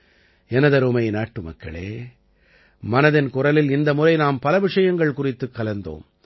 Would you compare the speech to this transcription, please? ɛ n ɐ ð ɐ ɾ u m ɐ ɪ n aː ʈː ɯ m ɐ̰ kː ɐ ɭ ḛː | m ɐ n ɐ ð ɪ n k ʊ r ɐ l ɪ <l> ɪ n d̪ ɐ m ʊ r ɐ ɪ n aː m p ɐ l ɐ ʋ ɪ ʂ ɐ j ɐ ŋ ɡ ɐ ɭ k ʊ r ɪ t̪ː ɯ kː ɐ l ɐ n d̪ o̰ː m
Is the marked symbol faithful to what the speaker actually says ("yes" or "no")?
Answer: yes